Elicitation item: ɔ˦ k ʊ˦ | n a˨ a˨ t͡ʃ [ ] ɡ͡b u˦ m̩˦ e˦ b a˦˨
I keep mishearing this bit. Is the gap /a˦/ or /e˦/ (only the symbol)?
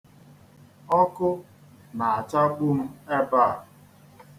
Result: a˦